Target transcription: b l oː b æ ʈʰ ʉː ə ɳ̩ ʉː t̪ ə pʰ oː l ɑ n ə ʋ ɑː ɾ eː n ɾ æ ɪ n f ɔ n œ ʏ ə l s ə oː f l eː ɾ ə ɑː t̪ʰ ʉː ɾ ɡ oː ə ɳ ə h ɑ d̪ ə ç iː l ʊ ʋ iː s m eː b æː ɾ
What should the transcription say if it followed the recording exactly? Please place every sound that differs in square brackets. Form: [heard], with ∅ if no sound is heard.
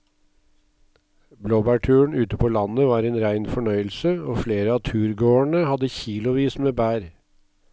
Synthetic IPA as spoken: b l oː b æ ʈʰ ʉː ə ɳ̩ ʉː t̪ ə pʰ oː l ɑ n ə ʋ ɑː ɾ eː n ɾ æ ɪ n f ɔ [ɳ] œ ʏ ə l s ə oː f l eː ɾ ə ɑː t̪ʰ ʉː ɾ ɡ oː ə ɳ ə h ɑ d̪ ə ç iː l ʊ ʋ iː s m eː b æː ɾ